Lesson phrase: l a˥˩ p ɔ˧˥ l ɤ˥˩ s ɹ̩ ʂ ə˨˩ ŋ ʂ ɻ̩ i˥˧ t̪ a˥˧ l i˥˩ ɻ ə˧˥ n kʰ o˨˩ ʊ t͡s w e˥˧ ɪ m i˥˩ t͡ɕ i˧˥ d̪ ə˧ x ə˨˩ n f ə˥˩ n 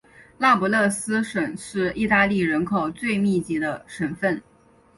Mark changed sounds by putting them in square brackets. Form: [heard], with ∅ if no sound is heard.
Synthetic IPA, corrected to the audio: l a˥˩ p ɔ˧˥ l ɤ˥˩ s ɹ̩ ʂ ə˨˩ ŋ ʂ ɻ̩ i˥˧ t̪ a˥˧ l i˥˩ ɻ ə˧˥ n kʰ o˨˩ ʊ t͡s w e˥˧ ɪ m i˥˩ t͡ɕ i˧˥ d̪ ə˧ [ʂ] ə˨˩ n f ə˥˩ n